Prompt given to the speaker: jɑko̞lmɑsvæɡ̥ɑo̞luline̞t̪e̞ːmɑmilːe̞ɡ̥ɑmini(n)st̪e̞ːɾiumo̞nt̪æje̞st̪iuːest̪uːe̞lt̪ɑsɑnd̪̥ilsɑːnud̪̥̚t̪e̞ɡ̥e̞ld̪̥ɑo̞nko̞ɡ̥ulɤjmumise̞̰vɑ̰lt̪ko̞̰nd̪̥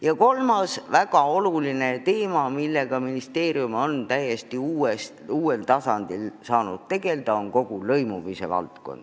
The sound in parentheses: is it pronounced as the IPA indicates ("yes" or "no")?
no